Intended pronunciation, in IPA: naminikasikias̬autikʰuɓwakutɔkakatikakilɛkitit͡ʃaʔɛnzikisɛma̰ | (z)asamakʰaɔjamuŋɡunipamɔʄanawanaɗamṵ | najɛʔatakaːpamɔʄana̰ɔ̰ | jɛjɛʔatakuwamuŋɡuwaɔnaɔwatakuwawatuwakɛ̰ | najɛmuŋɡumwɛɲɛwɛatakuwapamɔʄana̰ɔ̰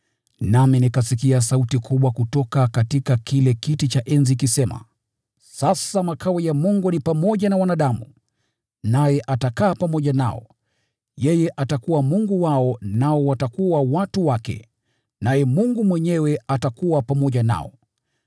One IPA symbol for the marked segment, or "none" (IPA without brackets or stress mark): s